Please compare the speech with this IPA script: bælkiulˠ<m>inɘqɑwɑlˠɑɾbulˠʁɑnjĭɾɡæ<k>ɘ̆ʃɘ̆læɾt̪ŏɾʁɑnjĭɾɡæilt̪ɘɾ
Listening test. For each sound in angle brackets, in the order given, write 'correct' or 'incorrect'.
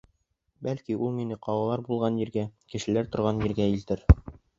correct, correct

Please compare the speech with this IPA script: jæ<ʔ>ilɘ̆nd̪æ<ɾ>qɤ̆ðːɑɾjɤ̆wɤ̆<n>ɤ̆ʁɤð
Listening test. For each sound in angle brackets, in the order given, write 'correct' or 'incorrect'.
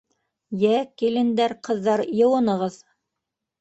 incorrect: k, correct, correct

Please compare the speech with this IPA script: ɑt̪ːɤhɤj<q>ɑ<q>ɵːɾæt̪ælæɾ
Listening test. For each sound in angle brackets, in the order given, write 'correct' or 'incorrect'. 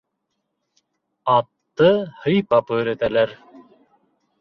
incorrect: p, incorrect: p

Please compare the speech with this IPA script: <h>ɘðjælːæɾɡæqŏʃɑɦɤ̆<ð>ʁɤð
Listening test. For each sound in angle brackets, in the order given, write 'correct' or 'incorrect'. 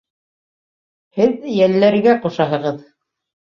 correct, incorrect: none

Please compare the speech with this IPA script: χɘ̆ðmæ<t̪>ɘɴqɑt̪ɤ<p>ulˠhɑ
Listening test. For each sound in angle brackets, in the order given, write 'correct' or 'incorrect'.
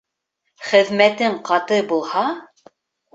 correct, incorrect: b

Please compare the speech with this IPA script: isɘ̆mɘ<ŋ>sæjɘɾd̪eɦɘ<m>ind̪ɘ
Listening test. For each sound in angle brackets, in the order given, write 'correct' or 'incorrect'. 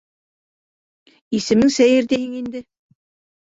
correct, incorrect: ŋ

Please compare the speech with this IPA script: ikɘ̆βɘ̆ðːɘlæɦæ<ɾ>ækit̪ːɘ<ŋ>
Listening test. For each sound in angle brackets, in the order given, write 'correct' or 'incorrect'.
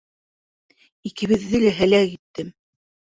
incorrect: l, incorrect: m

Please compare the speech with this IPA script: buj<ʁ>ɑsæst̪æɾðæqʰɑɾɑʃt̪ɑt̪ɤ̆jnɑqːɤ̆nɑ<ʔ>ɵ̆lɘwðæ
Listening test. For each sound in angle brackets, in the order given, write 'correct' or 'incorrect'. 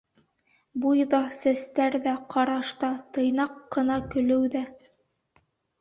incorrect: ð, incorrect: k

